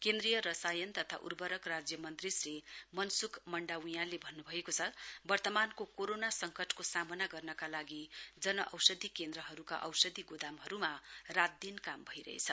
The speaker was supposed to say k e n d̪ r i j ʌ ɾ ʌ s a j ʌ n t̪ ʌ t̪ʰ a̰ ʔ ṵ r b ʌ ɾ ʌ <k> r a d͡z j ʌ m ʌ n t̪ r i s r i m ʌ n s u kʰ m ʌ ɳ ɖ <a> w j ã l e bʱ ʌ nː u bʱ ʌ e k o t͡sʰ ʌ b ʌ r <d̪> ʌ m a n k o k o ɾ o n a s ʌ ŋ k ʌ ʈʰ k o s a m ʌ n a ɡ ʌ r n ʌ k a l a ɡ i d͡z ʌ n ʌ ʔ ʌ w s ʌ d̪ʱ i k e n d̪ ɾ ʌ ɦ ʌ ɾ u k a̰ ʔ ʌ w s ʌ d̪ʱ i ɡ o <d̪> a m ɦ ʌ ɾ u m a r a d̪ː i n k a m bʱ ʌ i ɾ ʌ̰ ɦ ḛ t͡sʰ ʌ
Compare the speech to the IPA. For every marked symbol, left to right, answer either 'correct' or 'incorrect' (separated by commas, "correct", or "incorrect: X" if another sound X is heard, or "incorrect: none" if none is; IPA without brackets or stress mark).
correct, correct, incorrect: t̪, correct